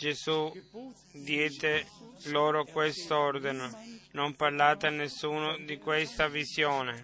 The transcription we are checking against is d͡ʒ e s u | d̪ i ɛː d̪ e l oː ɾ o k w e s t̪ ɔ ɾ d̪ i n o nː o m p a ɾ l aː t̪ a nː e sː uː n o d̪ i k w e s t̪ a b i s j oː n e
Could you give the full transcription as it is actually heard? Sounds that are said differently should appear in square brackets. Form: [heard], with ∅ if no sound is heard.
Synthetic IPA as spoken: d͡ʒ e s u | d̪ [j] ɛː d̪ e l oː ɾ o k w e s t̪ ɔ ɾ d̪ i n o [n] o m p a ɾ l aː t̪ a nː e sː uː n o d̪ i k w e s t̪ a [v] i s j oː n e